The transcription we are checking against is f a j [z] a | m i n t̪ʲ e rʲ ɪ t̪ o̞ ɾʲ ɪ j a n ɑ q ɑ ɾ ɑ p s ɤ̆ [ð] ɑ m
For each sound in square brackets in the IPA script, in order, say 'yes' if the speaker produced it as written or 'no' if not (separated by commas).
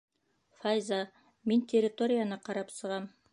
yes, no